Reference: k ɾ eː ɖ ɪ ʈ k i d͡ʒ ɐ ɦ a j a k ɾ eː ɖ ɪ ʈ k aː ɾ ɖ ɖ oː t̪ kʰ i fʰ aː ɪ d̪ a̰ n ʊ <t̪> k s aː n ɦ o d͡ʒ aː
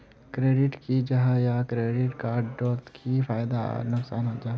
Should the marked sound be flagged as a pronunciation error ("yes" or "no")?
yes